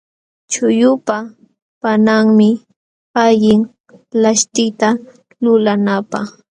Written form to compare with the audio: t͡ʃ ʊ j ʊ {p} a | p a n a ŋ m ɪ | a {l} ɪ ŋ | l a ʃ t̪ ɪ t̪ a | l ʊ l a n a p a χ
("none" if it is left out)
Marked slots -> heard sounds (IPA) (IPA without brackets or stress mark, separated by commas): p, ʎ